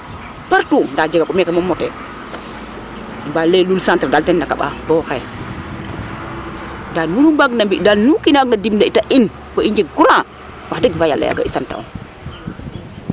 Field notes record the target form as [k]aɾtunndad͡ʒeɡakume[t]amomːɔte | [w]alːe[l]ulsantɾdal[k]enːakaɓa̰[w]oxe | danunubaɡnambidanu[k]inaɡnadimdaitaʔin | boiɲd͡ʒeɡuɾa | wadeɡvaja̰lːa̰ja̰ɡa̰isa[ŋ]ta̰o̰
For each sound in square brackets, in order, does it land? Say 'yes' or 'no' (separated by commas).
no, no, no, yes, no, no, yes, no